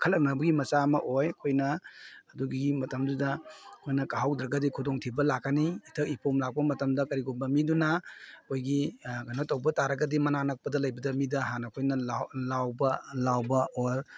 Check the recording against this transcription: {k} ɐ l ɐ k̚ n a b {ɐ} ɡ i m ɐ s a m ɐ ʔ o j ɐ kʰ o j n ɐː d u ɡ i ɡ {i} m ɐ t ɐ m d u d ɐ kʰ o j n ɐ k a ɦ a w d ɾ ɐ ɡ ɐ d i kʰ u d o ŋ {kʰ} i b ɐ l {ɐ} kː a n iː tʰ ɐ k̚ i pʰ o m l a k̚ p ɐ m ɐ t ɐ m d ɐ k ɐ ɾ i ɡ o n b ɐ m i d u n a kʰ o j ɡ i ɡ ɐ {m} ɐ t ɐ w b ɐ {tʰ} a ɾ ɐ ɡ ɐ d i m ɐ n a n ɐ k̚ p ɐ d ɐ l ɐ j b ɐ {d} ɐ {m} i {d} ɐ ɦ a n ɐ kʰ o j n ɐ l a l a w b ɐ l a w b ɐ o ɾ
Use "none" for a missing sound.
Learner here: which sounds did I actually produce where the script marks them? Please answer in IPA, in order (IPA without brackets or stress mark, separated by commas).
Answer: kʰ, ɐ, i, tʰ, a, n, t, d, m, d